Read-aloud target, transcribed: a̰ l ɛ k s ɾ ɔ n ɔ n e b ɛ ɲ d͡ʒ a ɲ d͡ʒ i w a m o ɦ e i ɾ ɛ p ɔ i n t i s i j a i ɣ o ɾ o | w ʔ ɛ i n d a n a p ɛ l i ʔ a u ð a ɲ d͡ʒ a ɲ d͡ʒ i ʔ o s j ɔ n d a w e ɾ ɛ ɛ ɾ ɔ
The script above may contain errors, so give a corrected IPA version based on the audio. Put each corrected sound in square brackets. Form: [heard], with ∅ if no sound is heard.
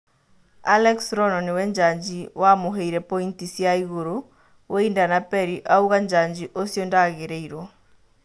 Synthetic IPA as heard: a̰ l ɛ k s ɾ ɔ n ɔ n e [w] ɛ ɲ d͡ʒ a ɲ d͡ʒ i w a m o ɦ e i ɾ ɛ p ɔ i n t i s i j a i ɣ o ɾ o | w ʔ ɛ i n d a n a p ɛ [ɾ] i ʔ a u [ɣ] a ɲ d͡ʒ a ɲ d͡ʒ i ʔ o s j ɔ n d a [ɣ] e ɾ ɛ [i] ɾ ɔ

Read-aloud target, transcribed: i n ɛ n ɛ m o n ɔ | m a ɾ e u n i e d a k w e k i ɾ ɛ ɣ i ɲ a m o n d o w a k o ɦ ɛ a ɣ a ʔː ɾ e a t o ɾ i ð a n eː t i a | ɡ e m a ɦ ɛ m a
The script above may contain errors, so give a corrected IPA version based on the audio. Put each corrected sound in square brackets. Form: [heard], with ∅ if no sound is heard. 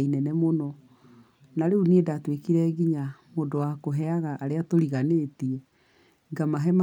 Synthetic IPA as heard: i n ɛ n ɛ m o n ɔ | [n] a ɾ e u n i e d a [t] w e k i ɾ ɛ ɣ i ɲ a m o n d o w a k o ɦ ɛ a ɣ a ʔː ɾ e a t o ɾ i [ɣ] a n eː t i [ɛ] | ɡ [a] m a ɦ ɛ m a

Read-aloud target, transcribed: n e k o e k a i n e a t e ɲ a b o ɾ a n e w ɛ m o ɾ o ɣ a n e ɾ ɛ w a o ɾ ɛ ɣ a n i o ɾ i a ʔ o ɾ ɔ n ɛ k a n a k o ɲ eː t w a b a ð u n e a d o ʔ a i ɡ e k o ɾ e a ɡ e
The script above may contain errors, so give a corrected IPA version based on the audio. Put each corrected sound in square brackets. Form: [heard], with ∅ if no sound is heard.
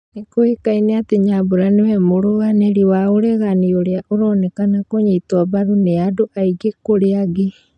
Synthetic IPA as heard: n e k o e k a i n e a t e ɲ a b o ɾ a n e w ɛ m o ɾ o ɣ a n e ɾ [i] w a o ɾ ɛ ɣ a n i o ɾ [e] a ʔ o ɾ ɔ n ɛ k a n a k o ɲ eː t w a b a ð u n e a d o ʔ a i ɡ e k o ɾ e a ɡ e

